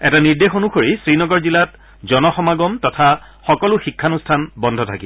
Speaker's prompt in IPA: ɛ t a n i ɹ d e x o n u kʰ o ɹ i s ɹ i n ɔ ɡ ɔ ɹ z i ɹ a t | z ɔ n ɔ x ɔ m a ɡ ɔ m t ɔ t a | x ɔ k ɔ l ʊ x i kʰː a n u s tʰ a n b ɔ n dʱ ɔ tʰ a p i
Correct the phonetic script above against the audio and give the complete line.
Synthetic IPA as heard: ɛ t a n i ɹ d e x o n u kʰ o ɹ i s ɹ i n ɔ ɡ ɔ ɹ z i l a t | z ɔ n ɔ x ɔ m a ɡ ɔ m t ɔ tʰ a | x ɔ k ɔ l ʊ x i kʰː a n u s tʰ a n b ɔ n dʱ ɔ tʰ a k i